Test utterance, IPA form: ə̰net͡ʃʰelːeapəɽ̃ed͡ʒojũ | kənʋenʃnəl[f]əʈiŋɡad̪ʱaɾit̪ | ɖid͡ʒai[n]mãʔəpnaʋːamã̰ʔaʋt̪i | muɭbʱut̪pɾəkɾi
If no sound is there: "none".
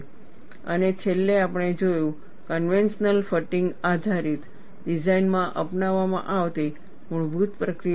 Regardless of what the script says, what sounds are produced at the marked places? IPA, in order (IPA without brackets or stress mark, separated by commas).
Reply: f, n